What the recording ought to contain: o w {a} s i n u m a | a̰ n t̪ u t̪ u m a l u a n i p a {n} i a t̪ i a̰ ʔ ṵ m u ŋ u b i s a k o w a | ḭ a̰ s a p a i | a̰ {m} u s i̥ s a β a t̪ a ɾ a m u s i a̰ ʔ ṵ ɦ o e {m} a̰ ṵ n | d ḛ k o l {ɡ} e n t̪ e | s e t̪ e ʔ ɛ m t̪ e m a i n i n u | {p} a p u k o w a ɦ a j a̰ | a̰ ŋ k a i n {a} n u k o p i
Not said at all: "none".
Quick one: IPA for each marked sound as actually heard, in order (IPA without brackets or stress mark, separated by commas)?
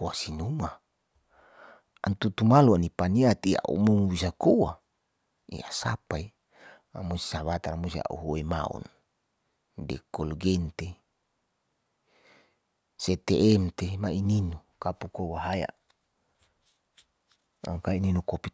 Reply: a, n, m, m, ɡ, k, i